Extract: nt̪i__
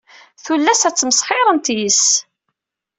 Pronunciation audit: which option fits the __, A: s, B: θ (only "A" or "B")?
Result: A